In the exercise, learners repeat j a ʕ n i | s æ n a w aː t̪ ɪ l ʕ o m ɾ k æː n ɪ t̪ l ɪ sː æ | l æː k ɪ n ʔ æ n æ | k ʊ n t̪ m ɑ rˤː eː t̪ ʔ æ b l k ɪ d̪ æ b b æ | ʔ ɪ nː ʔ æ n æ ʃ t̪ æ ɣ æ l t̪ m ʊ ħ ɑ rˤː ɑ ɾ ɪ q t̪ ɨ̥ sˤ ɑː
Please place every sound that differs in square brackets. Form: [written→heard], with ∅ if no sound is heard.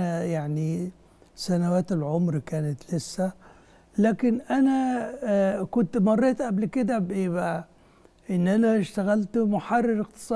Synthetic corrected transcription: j a ʕ n i | s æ n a w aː t̪ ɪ l ʕ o m ɾ k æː n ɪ t̪ l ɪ sː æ | l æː k ɪ n ʔ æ n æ | k ʊ n t̪ m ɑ rˤː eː t̪ ʔ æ b l k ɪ d̪ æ b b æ | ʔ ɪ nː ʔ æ n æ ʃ t̪ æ ɣ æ l t̪ m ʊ ħ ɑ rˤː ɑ ɾ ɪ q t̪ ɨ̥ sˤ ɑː